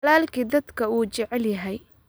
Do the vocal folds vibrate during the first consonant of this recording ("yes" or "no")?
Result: yes